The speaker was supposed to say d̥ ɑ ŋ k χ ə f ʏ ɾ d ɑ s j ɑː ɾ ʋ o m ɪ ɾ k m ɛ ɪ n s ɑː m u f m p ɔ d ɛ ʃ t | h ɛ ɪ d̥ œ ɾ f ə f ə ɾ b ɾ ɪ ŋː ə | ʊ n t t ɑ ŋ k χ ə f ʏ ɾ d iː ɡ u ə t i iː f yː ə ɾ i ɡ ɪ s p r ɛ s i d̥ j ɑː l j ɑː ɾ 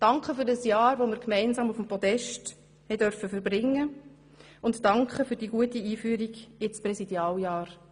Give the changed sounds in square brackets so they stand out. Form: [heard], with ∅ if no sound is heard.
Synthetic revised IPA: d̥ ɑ ŋ k χ ə f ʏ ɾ d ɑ s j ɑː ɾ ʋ o m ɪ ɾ k m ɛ ɪ n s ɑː m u f m p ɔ d ɛ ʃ t | h ɛ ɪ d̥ œ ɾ f ə f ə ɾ b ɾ ɪ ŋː ə | ʊ n t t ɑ ŋ k χ ə f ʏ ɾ d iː ɡ u ə t i iː f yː ə ɾ i ɡ ɪ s p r ɛ s i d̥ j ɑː l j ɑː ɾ